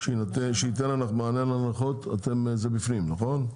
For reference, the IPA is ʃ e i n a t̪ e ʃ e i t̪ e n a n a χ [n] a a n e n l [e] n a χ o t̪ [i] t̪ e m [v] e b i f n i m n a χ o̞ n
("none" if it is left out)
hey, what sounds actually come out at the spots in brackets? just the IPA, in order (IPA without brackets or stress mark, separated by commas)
m, a, a, z